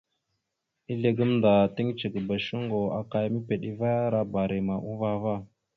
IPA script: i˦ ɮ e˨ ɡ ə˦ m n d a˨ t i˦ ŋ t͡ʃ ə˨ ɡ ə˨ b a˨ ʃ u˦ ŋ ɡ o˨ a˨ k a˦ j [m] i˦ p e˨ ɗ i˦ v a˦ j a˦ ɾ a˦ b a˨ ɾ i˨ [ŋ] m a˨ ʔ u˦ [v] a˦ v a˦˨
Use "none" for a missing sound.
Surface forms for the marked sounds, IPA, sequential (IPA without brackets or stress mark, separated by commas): m, none, v